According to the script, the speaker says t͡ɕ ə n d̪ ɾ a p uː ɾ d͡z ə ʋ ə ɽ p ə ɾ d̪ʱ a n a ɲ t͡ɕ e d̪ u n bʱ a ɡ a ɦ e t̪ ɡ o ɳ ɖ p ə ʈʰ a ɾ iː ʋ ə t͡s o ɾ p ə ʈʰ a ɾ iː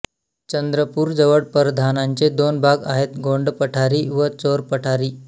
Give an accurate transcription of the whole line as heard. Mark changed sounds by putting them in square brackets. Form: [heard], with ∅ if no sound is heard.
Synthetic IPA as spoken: t͡ɕ ə n d̪ ɾ [ə] p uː ɾ d͡z ə ʋ ə ɽ p ə ɾ d̪ʱ a n a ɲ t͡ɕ e d̪ [o] n bʱ a ɡ a ɦ e t̪ ɡ o ɳ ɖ p ə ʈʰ a ɾ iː ʋ ə t͡s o ɾ p ə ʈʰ a ɾ iː